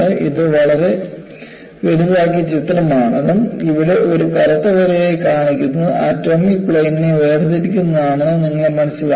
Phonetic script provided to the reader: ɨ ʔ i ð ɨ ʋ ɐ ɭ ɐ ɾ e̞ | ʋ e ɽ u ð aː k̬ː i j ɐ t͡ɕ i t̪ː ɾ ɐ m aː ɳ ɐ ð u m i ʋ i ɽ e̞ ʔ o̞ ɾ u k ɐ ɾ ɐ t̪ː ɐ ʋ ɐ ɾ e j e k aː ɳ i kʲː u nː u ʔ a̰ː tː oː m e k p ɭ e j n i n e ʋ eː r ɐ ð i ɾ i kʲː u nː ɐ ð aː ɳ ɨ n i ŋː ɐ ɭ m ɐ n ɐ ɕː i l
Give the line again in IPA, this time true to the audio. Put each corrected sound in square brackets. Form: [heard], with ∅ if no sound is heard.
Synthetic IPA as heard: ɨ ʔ i ð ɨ ʋ ɐ ɭ ɐ ɾ e̞ | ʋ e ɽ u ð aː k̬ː i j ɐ t͡ɕ i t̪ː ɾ ɐ m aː ɳ ɐ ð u m i ʋ i ɽ e̞ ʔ o̞ ɾ u k ɐ ɾ ɐ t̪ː ɐ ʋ ɐ ɾ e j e k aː ɳ i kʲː u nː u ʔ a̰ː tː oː m [i] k p ɭ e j n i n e ʋ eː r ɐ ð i ɾ i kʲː u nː ɐ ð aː ɳ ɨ n i ŋː ɐ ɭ m ɐ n ɐ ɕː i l

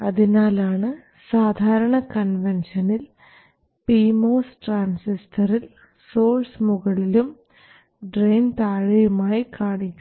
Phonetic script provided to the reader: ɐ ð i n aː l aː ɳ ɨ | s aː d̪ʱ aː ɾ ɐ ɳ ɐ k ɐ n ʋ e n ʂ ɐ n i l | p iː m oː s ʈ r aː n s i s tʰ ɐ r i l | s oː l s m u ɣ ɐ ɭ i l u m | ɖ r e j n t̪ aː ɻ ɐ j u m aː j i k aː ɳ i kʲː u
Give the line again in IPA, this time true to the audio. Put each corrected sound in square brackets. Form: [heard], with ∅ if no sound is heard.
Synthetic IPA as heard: ɐ ð i n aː l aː ɳ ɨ | s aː d̪ʱ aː ɾ ɐ ɳ ɐ k ɐ n ʋ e n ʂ ɐ n i l | p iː m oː s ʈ r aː n s i s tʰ ɐ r i l | s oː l s m u ɣ ɐ ɭ i l u m | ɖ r e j n t̪ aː ɻ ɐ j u m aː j i k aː ɳ i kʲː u

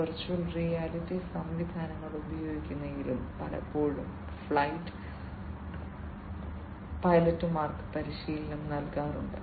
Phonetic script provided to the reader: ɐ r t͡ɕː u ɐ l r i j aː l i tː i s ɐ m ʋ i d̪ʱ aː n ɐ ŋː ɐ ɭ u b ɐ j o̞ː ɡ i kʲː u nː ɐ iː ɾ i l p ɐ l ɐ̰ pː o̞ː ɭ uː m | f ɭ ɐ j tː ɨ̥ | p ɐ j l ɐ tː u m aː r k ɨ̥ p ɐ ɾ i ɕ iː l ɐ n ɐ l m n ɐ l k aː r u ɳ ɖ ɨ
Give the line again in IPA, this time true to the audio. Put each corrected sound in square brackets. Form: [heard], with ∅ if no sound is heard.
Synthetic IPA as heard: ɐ r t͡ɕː u ɐ l r i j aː l i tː i s ɐ m ʋ i d̪ʱ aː n ɐ ŋː ɐ ɭ u b ɐ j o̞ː ɡ i kʲː u nː ɐ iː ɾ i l p ɐ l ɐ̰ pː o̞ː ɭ [u] m | f ɭ ɐ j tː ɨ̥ | p ɐ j l ɐ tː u m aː r k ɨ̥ p ɐ ɾ i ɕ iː l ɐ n ɐ [∅] m n ɐ l k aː r u ɳ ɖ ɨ

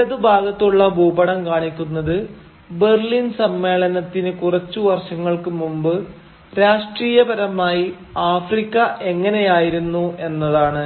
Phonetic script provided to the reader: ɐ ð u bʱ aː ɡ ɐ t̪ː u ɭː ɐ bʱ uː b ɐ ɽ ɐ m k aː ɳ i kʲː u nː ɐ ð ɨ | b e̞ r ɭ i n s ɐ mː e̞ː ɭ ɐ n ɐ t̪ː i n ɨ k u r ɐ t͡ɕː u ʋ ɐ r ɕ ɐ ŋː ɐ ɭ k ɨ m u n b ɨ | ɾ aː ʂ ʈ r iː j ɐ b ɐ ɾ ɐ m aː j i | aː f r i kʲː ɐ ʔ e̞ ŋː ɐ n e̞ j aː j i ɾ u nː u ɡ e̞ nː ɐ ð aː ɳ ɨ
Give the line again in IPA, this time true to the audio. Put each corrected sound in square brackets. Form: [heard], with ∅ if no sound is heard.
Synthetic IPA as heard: ɐ ð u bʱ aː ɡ ɐ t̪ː u ɭː ɐ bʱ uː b ɐ ɽ ɐ m k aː ɳ i kʲː u nː ɐ ð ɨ | b e̞ r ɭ i n s ɐ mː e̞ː ɭ ɐ n ɐ t̪ː i n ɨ k u r ɐ t͡ɕː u ʋ ɐ r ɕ ɐ ŋː ɐ ɭ k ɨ m u [m] b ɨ | ɾ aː ʂ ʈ r iː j ɐ b ɐ ɾ ɐ m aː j i | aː f r i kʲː ɐ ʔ e̞ ŋː ɐ n e̞ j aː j i ɾ u nː u [∅] e̞ nː ɐ ð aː ɳ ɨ

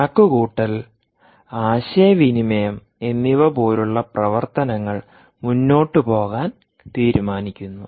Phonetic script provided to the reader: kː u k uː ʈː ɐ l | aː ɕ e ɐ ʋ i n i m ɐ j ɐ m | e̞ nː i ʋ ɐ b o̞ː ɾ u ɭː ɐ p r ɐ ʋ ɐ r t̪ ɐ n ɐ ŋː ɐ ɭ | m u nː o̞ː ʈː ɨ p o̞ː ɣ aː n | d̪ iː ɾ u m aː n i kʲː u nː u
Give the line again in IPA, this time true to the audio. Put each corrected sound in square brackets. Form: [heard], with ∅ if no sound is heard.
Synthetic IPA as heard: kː u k uː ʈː ɐ l | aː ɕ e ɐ ʋ i n i m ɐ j ɐ m | e̞ nː i ʋ ɐ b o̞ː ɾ u ɭː ɐ p r ɐ ʋ ɐ r t̪ ɐ n ɐ ŋː ɐ ɭ | m u nː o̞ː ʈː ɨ p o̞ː ɣ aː n | [t̪] iː ɾ u m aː n i kʲː u nː u

